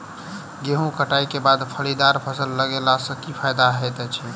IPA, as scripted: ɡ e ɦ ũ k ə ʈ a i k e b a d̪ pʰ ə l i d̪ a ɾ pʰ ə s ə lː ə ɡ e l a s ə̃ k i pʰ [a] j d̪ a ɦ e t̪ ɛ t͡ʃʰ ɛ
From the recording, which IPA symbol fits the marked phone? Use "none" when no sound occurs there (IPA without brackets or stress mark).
a